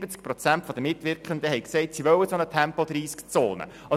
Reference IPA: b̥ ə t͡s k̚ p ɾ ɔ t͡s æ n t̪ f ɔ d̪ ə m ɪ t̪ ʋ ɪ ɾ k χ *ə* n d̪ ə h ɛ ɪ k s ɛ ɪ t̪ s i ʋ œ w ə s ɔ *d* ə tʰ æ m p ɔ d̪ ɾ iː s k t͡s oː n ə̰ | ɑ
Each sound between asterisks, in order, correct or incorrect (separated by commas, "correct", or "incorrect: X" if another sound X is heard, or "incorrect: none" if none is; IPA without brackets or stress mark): correct, incorrect: n